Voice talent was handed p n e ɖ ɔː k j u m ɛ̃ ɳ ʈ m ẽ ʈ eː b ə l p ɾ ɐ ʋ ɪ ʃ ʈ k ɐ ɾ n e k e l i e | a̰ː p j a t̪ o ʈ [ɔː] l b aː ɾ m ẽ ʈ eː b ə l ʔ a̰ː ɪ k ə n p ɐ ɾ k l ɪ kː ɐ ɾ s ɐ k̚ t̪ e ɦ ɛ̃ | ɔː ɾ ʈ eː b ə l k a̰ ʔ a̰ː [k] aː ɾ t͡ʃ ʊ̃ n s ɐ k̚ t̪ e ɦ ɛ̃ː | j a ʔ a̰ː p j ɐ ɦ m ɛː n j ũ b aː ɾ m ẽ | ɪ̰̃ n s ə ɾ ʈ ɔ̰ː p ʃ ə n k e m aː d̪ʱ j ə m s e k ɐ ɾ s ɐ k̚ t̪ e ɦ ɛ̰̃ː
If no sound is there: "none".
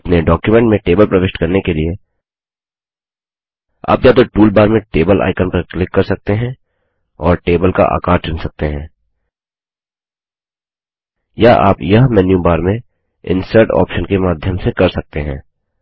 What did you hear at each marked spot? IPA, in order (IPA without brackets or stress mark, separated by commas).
uː, k